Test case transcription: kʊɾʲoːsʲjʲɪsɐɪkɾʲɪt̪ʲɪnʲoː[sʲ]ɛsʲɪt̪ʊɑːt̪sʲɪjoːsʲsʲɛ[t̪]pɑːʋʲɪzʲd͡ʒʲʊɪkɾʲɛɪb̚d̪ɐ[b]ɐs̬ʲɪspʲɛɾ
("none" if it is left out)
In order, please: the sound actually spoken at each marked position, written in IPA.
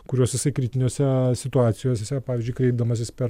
sʲ, none, m

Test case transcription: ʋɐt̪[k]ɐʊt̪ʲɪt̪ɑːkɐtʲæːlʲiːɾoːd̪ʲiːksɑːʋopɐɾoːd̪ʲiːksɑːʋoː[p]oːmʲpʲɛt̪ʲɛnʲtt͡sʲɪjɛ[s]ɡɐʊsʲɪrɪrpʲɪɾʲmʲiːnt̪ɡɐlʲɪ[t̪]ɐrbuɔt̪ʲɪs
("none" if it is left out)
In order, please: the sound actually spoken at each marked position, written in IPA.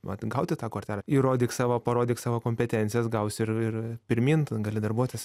ɡ, k, s, d̪

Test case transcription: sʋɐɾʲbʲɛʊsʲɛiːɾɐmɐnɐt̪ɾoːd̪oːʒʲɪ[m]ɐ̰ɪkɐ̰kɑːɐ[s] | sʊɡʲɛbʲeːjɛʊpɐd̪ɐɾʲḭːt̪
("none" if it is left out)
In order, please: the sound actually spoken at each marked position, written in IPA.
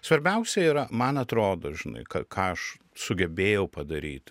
n, ʃ

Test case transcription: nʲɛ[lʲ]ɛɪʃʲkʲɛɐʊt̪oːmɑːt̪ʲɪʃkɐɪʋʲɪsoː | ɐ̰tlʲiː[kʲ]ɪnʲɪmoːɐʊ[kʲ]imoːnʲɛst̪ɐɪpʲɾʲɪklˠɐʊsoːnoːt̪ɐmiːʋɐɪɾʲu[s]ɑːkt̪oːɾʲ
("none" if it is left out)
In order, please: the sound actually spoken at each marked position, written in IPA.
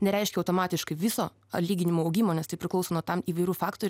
ɾʲ, ɡʲ, ɡʲ, f

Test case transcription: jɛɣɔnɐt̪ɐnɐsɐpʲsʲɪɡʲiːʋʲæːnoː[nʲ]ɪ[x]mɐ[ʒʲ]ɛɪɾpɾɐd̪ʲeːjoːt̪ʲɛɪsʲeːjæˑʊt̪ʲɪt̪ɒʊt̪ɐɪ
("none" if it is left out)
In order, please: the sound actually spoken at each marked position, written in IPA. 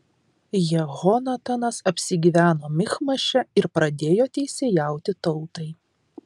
mʲ, x, ʃʲ

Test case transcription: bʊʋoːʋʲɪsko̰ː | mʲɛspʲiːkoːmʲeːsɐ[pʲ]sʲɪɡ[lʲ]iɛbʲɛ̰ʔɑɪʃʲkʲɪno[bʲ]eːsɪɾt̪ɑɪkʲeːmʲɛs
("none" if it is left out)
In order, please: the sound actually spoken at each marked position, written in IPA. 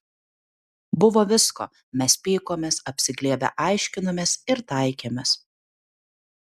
pʲ, lʲ, mʲ

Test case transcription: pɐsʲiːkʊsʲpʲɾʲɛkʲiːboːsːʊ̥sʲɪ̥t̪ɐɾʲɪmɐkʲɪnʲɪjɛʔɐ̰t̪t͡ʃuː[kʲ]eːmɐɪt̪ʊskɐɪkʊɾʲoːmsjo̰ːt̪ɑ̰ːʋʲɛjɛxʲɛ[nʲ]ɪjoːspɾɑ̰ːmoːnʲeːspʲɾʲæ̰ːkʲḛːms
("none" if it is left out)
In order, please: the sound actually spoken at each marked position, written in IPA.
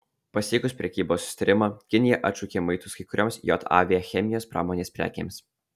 kʲ, mʲ

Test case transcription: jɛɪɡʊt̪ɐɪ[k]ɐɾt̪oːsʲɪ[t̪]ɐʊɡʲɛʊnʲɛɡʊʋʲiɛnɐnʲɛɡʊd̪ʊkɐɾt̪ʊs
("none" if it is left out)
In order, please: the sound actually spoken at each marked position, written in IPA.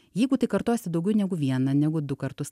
k, d̪

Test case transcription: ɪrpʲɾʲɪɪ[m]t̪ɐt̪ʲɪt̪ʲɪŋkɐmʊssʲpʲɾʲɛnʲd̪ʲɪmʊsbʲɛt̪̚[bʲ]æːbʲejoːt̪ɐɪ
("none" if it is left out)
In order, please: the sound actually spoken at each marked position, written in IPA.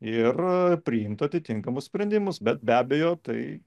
m, bʲ

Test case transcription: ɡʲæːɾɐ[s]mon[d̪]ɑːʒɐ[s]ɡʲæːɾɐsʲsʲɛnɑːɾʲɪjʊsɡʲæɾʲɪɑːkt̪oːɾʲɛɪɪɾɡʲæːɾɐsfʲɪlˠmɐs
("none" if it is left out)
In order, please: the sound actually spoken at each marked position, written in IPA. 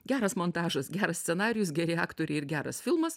s, t̪, s

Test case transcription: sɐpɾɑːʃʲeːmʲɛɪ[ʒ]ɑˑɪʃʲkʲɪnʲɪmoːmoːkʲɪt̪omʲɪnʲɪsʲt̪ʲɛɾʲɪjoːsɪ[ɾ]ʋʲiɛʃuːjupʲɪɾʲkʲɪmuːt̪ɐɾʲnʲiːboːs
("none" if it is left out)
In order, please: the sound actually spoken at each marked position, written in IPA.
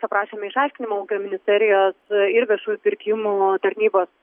ʃ, ɾ

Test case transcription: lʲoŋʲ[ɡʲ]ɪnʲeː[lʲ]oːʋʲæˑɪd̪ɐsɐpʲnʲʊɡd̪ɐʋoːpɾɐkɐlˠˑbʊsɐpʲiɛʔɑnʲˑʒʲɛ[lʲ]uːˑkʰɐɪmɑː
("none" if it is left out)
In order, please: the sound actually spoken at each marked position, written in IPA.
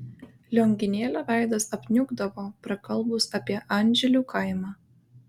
ɡʲ, lʲ, lʲ

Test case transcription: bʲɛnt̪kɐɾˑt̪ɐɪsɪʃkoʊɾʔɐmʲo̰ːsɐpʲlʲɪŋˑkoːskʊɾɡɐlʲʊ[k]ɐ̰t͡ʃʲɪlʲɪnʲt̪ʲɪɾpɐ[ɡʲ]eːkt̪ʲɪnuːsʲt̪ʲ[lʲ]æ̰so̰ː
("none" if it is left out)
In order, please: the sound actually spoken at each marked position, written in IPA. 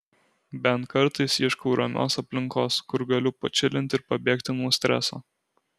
p, bʲ, ɾʲ

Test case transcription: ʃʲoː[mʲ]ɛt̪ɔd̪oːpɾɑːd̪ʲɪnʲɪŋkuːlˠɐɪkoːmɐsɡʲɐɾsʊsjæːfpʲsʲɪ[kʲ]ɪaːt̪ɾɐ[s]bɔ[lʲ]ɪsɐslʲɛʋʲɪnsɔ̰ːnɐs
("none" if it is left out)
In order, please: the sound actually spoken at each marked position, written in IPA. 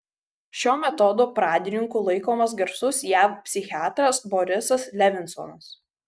mʲ, xʲ, s, ɾʲ

